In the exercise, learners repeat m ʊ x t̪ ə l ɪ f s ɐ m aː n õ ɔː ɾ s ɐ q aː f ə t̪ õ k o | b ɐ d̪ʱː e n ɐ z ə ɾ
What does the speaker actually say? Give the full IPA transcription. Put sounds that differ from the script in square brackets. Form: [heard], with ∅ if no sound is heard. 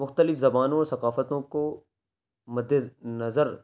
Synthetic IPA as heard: m ʊ x t̪ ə l ɪ f [z] ɐ [b] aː n õ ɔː ɾ s ɐ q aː f ə t̪ õ k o | [m] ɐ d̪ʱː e n ɐ z ə ɾ